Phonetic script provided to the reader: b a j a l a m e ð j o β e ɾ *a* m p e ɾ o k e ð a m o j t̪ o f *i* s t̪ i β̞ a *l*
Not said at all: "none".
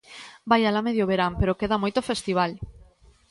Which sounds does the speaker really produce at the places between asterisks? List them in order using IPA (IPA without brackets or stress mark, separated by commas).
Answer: a, e, l